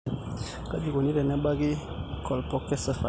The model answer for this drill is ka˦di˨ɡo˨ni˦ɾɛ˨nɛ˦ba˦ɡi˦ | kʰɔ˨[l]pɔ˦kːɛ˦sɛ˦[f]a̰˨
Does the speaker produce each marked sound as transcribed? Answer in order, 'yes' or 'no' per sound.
yes, yes

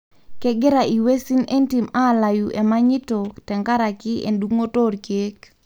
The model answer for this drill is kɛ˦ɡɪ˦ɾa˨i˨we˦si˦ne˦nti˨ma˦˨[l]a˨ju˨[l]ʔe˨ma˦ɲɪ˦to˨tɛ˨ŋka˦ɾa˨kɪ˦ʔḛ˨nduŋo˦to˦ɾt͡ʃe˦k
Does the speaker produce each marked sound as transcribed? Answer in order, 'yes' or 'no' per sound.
yes, no

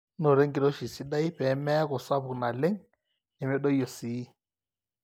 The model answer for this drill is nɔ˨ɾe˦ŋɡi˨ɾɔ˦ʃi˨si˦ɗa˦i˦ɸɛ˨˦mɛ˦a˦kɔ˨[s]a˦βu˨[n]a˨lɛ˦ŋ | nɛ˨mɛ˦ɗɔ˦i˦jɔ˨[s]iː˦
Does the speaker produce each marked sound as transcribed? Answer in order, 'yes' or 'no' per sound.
yes, yes, yes

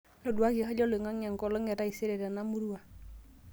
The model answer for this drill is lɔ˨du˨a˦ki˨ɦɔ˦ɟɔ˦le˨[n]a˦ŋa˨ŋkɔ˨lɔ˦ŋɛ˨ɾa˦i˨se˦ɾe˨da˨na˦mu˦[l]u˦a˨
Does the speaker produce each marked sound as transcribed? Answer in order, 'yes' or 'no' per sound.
no, no

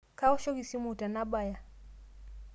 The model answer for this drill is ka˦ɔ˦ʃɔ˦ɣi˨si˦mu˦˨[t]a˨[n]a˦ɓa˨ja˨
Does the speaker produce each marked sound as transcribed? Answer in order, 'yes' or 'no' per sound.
yes, yes

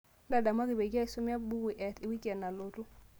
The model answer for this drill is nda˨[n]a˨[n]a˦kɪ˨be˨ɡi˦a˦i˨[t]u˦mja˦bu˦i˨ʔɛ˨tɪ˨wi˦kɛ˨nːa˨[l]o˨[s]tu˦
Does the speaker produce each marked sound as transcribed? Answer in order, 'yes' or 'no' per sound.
no, no, no, yes, no

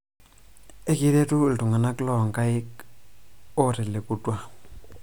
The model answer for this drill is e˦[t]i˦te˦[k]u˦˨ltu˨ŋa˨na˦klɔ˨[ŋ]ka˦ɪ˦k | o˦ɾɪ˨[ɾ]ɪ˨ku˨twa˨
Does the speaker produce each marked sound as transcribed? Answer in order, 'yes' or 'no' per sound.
no, no, yes, no

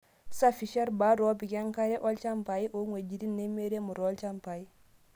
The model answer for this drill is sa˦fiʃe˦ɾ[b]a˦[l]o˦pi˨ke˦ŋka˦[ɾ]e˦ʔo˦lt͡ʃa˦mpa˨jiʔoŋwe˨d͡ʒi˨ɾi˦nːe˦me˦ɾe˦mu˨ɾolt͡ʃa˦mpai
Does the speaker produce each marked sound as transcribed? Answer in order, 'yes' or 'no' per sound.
yes, no, yes

